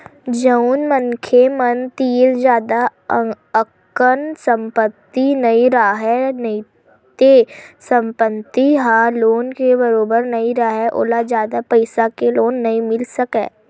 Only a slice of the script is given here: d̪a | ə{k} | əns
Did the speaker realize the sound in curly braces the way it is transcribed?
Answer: yes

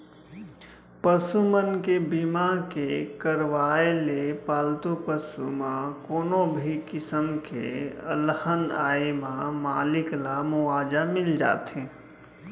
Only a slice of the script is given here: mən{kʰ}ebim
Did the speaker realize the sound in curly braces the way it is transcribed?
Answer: no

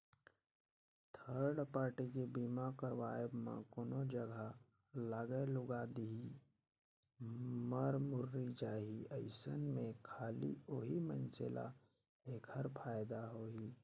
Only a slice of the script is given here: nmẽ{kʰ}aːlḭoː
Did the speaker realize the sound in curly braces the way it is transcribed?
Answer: yes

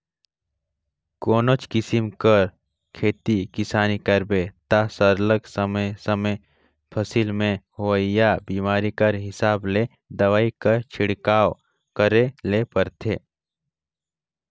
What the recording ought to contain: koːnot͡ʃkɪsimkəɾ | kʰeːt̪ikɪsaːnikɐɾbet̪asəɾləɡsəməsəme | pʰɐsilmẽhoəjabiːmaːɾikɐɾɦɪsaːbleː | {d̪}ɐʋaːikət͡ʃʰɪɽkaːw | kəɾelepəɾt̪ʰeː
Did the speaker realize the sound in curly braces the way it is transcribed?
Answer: yes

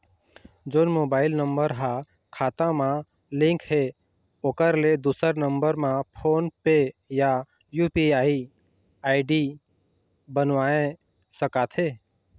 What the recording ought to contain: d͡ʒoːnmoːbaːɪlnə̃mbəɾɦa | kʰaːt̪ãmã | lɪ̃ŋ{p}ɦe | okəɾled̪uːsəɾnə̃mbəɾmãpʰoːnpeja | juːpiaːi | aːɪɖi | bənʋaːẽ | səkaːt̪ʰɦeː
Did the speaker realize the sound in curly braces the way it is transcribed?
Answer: no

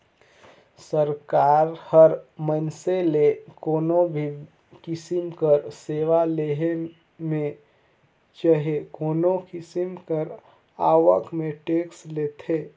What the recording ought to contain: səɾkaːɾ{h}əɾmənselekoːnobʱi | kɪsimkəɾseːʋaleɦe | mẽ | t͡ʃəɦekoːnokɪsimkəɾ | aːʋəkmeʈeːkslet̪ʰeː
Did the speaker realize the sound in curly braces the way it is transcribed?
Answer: yes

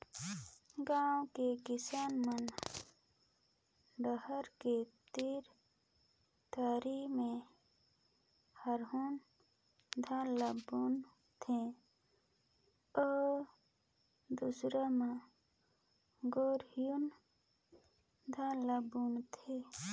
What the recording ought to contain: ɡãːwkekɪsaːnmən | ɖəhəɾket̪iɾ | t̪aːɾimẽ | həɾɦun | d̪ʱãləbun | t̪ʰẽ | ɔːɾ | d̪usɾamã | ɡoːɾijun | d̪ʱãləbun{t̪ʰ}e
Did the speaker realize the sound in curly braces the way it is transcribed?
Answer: yes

